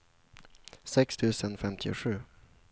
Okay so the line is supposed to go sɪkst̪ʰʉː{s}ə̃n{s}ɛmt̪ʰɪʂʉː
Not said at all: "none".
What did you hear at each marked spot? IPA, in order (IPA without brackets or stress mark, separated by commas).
s, f